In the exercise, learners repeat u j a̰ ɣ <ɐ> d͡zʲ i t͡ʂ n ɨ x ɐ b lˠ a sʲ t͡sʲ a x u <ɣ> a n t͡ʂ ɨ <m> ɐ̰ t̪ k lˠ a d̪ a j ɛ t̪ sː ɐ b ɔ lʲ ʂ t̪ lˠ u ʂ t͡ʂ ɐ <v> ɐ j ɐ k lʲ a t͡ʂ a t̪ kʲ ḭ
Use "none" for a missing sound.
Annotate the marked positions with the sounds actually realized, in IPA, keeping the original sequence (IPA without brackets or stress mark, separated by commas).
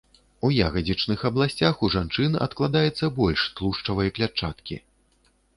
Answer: ɐ, ʐ, n, v